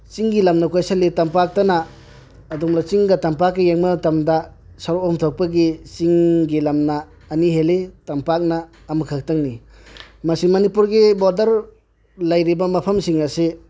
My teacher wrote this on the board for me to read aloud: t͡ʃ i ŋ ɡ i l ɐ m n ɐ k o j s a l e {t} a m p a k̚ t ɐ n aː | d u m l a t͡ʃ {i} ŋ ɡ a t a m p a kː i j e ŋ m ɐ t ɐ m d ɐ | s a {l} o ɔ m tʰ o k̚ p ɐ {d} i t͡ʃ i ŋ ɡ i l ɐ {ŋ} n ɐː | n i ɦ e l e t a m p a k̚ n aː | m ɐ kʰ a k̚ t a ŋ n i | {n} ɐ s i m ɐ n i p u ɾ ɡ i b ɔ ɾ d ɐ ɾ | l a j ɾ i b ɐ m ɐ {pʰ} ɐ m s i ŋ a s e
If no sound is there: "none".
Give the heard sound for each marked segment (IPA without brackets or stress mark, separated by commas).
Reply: t, i, ɾ, ɡ, m, m, pʰ